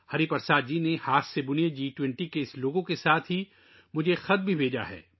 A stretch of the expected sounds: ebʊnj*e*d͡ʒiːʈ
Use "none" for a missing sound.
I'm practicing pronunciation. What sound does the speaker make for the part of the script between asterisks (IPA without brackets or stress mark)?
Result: e